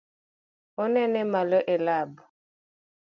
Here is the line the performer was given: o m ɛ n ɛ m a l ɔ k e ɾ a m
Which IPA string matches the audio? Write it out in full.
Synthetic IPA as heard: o n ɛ n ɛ m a l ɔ ʔ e l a b